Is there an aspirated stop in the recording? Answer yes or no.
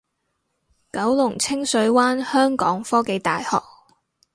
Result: yes